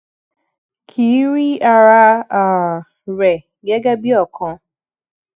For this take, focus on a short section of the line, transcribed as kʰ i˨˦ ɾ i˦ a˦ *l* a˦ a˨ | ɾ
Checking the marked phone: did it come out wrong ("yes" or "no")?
yes